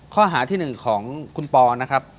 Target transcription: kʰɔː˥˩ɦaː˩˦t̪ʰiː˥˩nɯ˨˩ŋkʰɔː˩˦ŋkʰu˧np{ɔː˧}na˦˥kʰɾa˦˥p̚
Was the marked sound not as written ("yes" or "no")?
no